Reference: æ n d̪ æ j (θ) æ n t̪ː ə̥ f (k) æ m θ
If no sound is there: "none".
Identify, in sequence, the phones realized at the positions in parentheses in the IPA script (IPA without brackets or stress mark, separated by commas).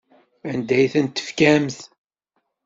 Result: θ, k